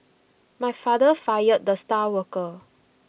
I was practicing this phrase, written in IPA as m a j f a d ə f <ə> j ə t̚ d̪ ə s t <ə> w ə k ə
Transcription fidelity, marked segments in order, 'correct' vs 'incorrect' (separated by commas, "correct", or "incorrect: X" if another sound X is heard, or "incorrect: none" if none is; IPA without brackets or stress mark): incorrect: a, incorrect: a